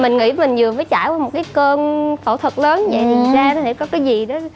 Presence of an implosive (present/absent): present